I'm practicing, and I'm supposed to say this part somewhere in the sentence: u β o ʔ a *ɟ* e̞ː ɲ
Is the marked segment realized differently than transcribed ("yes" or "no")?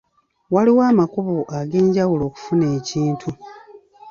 yes